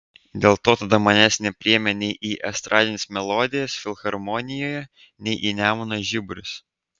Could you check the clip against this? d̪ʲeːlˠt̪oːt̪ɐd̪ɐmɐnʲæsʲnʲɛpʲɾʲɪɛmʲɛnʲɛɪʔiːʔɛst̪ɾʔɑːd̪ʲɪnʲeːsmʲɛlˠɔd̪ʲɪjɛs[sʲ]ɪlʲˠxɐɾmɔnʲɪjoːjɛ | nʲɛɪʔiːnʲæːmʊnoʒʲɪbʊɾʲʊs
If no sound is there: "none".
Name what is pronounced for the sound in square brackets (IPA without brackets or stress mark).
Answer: fʲ